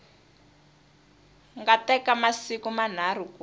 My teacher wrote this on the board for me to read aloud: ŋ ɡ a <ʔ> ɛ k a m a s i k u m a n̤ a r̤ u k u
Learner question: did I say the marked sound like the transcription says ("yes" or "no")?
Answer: no